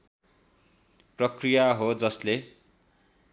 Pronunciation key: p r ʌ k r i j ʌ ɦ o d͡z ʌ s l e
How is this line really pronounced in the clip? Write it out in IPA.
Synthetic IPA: p r ʌ k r i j a ɦ o d͡z ʌ s l e